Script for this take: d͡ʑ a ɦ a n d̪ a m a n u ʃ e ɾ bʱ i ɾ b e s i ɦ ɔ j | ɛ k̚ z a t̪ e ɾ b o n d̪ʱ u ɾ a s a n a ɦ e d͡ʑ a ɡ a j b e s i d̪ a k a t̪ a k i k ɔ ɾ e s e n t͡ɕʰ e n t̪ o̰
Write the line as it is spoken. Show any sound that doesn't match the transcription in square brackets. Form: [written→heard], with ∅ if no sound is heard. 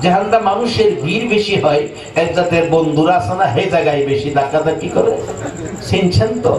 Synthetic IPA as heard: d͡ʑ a ɦ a n d̪ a m a n u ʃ e ɾ bʱ i ɾ b e [s→ʃ] i ɦ ɔ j | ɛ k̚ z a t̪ e ɾ b o n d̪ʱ u ɾ a s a n a ɦ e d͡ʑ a ɡ a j b e [s→ʃ] i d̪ a k a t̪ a k i k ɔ ɾ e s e n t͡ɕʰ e n t̪ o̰